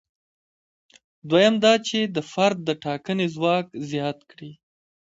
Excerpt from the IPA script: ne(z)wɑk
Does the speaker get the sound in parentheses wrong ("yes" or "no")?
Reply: no